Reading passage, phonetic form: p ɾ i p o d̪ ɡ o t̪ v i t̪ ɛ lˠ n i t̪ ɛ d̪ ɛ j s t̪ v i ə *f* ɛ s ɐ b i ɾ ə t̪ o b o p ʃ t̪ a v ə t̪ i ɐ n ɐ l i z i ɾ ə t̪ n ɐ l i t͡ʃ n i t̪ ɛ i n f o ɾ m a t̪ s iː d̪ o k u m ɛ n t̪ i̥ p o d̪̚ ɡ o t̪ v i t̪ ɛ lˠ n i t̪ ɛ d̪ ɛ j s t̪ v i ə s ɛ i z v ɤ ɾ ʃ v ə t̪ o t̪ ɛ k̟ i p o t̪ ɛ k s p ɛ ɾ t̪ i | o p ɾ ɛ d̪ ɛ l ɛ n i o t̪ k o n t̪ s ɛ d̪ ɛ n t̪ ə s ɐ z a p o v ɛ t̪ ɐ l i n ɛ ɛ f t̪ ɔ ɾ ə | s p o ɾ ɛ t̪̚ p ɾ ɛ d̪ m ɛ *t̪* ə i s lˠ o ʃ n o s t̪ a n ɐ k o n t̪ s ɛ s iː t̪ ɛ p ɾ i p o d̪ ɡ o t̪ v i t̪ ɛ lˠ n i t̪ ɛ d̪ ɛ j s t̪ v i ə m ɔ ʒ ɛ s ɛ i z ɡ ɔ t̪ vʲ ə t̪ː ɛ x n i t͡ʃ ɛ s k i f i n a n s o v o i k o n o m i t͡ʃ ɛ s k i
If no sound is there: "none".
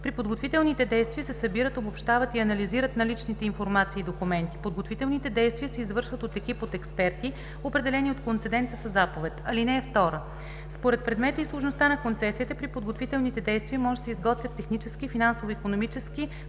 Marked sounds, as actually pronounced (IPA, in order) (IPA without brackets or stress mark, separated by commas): s, t̪